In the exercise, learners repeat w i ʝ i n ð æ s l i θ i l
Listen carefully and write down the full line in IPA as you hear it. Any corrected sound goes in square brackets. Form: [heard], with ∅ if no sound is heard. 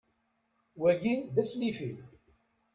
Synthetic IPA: w [æ] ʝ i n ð æ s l i [f] i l

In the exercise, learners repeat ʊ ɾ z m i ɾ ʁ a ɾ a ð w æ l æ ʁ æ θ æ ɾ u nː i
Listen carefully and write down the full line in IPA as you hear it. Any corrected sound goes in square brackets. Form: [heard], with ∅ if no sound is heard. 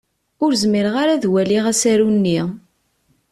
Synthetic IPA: ʊ ɾ z m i ɾ ʁ a ɾ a ð w æ l [i] ʁ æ [s] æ ɾ u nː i

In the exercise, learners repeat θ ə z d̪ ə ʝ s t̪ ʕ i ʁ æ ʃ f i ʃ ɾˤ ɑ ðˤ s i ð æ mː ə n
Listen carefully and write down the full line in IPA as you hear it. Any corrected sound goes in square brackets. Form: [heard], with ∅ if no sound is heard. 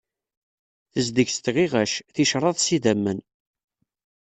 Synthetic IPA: θ ə z d̪ ə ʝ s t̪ [ʁ] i ʁ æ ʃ [θ] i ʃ ɾˤ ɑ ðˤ s i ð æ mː ə n

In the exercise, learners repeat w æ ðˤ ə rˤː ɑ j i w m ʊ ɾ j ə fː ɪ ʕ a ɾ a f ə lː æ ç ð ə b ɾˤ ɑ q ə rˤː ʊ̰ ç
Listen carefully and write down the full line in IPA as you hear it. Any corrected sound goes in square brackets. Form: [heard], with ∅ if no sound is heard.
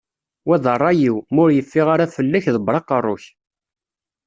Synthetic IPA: w æ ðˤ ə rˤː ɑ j i w m ʊ ɾ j ə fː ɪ [ʁ] a ɾ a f ə lː æ ç ð ə b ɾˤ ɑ q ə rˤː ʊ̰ ç

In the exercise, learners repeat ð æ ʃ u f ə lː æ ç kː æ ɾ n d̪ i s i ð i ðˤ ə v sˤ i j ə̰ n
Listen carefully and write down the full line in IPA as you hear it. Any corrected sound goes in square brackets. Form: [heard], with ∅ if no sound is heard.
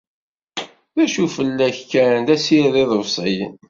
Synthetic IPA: ð æ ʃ u f ə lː æ ç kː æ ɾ n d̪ [æ] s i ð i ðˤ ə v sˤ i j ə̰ n

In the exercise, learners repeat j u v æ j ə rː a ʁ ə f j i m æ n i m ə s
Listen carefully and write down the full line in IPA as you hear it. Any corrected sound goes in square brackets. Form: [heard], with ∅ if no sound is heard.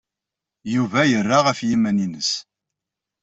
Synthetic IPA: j u v æ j ə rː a ʁ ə f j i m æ n i [n] ə s

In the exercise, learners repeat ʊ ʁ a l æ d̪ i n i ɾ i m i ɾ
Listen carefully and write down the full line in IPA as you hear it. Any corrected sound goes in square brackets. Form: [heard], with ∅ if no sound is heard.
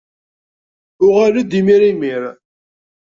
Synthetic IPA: ʊ ʁ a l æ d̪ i [m] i ɾ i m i ɾ

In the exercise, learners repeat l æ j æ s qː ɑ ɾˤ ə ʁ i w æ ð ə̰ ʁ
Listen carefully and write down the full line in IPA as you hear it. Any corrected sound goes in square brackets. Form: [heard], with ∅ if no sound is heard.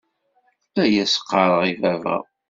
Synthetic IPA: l æ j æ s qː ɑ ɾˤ ə ʁ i [v] æ [v] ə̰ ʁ

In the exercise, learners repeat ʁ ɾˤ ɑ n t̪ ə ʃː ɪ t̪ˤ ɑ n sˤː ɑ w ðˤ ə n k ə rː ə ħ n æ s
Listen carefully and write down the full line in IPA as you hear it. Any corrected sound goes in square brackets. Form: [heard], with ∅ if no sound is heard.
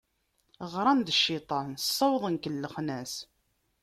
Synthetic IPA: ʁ ɾˤ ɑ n [d̪] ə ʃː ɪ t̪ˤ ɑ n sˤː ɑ w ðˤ ə n k ə [lː] ə [χ] n æ s

